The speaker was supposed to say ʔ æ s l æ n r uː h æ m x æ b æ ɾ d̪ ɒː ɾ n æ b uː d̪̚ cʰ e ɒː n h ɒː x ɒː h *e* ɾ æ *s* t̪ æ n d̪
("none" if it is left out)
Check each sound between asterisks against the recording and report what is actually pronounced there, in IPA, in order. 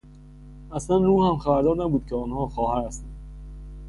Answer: æ, s

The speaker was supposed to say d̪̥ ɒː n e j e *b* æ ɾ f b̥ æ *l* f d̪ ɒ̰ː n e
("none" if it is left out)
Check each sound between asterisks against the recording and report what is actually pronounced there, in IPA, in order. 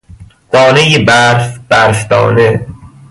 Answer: b, ɾ

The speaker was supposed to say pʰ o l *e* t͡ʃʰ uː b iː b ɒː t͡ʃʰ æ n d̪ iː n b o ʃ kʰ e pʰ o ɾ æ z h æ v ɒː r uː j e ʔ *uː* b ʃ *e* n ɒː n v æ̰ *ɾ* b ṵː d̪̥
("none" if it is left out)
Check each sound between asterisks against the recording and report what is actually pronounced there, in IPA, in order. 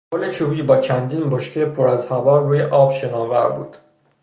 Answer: e, ɒː, e, ɾ

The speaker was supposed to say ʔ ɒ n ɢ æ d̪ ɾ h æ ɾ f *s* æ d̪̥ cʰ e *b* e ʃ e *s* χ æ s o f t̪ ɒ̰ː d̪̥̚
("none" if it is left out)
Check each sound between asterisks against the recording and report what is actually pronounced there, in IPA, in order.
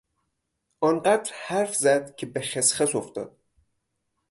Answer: z, b, s

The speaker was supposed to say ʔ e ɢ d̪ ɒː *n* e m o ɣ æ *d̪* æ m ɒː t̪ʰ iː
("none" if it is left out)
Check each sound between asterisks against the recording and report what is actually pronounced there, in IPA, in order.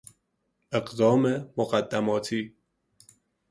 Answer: m, d̪ː

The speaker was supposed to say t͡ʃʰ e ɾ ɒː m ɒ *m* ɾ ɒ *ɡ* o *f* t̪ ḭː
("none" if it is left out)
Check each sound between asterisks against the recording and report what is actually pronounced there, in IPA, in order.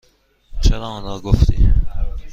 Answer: n, ɡ, f

